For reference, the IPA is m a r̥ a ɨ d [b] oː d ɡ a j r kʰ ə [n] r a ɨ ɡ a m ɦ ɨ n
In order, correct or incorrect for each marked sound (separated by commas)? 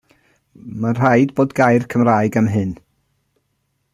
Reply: correct, incorrect